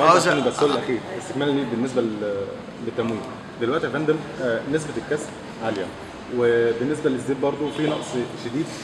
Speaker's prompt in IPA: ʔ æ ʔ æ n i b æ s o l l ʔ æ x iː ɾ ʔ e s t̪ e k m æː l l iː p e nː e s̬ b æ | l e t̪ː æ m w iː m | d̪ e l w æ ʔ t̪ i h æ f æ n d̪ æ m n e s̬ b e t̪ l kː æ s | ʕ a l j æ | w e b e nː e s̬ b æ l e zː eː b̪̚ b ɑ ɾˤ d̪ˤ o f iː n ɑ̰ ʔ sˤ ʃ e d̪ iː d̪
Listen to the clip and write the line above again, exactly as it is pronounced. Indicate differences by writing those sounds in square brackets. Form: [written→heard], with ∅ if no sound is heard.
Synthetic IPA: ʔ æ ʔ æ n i b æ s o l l ʔ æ x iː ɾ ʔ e s t̪ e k m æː l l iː [p→b] e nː e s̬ b æ | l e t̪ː æ m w iː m | d̪ e l w æ ʔ t̪ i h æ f æ n d̪ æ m n e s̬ b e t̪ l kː æ s | ʕ a l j æ | w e b e nː e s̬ b æ l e zː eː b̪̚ b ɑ ɾˤ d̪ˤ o f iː n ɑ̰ ʔ sˤ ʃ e d̪ iː d̪